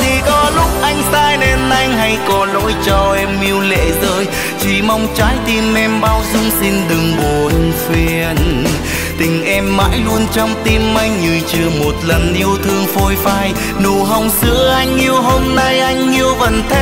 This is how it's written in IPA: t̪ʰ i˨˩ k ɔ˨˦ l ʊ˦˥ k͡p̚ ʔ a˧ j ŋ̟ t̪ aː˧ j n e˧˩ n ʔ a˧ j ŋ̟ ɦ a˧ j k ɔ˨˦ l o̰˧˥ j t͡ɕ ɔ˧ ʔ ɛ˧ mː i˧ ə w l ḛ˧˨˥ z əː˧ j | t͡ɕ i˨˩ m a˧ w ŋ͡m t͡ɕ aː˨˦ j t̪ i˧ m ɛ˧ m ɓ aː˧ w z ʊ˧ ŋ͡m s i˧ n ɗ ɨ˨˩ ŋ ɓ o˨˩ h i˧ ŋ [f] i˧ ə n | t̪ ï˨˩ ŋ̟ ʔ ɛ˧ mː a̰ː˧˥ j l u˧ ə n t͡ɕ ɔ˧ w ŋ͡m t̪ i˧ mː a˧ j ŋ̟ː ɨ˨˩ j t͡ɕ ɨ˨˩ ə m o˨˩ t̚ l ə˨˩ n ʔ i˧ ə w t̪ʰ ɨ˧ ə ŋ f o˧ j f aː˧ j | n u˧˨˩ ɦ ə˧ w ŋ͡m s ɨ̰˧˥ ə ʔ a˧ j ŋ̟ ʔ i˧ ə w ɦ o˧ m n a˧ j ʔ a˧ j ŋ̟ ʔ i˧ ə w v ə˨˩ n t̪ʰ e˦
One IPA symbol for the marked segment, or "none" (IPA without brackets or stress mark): f